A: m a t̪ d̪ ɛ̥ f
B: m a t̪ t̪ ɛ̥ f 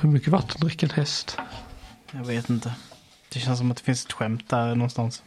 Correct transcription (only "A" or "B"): A